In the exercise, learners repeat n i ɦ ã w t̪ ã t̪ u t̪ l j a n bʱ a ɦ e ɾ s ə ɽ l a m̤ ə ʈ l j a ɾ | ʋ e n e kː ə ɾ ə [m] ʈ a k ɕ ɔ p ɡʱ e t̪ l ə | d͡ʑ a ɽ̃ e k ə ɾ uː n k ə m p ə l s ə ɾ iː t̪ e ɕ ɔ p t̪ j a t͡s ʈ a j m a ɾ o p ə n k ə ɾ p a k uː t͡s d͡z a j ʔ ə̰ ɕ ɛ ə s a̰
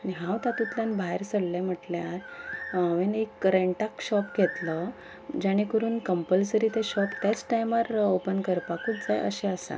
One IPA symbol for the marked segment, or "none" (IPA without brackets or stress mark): ɳ